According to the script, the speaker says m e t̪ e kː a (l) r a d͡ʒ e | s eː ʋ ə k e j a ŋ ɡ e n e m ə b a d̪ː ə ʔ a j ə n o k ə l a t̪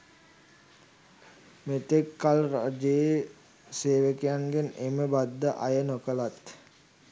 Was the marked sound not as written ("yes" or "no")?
no